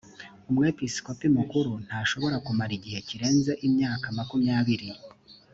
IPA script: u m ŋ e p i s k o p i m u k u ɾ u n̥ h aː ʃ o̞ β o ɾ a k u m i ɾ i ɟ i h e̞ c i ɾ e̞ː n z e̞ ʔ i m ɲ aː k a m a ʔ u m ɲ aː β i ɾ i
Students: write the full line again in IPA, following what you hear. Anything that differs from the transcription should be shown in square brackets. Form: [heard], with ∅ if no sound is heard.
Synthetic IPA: u m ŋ e p i s k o p i m u k u ɾ u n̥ h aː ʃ o̞ β o ɾ a k u m [a] ɾ i ɟ i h e̞ c i ɾ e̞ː n z e̞ ʔ i m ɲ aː k a m a [k] u m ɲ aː β i ɾ i